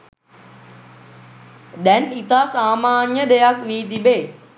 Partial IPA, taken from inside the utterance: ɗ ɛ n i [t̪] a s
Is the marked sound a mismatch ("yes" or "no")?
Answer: no